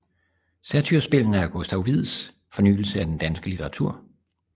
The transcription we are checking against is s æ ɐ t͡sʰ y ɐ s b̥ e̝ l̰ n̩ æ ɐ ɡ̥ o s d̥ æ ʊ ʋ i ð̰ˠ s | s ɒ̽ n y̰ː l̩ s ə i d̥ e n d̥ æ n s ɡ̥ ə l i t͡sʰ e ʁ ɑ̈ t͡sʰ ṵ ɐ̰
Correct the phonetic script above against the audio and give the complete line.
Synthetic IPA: s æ ɐ t͡sʰ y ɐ s b̥ e̝ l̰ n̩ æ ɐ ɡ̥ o s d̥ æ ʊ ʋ i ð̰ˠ s | f ɒ̽ n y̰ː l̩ s ə æ d̥ e n d̥ æ n s ɡ̥ ə l i t͡sʰ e ʁ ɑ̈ t͡sʰ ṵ ɐ̰